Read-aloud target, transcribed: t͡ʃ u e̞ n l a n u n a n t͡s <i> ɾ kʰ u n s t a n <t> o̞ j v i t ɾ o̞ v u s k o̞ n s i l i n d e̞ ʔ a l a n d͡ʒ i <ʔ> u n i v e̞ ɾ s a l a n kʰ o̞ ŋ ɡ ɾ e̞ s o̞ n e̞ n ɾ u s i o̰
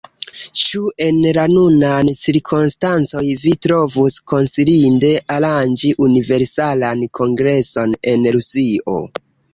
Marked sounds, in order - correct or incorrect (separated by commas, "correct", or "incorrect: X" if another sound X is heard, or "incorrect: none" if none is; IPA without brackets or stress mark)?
correct, incorrect: t͡s, correct